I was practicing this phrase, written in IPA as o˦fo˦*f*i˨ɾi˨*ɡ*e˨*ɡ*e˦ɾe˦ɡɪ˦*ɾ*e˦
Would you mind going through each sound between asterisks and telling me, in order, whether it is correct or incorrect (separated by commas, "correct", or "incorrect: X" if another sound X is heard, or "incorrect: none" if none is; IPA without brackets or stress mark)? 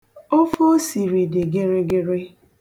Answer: incorrect: s, incorrect: d, correct, correct